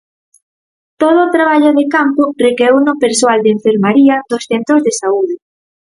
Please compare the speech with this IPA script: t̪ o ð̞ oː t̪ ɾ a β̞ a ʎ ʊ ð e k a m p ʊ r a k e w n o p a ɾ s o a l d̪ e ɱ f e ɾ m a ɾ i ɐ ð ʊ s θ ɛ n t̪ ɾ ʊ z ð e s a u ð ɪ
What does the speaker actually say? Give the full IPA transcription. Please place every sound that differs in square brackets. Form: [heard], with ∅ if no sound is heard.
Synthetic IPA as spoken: t̪ o ð̞ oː t̪ ɾ a β̞ a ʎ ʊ ð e k a m p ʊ r [e] k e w n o p [e] ɾ s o a l d̪ e ɱ f e ɾ m a ɾ i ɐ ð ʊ s θ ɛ n t̪ ɾ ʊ z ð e s a u ð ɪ